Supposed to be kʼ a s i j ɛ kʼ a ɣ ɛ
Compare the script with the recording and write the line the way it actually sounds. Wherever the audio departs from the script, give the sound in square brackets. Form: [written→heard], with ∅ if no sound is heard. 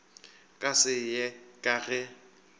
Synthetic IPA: kʼ a s [i→ɪ] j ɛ kʼ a ɣ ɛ